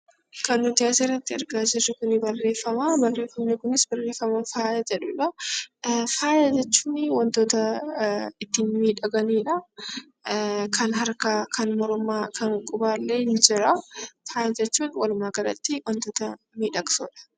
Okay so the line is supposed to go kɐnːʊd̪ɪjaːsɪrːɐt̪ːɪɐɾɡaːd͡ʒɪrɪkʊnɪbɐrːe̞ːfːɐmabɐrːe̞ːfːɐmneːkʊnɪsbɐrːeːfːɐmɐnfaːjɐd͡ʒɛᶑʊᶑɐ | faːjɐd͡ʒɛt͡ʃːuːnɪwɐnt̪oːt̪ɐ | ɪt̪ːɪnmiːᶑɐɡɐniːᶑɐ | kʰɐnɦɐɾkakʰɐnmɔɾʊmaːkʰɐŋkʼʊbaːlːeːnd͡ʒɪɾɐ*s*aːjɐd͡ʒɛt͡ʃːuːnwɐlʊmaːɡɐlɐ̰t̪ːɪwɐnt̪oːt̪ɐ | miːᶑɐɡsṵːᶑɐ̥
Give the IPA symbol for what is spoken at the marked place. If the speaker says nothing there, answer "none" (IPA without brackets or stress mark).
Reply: f